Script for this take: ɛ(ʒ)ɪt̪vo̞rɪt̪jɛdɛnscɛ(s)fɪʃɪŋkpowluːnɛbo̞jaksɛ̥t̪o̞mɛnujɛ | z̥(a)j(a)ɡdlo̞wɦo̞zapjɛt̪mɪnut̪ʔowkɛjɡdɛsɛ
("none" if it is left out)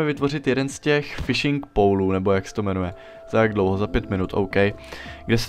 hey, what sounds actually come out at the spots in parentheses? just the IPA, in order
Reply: v, x, a, a

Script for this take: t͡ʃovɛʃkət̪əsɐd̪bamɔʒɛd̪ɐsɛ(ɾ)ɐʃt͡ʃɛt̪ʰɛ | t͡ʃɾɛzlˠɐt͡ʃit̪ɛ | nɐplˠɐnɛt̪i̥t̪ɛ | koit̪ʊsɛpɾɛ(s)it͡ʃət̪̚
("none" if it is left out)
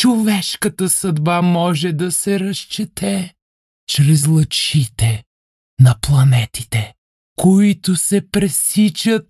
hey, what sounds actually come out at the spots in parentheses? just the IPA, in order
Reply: ɾ, s

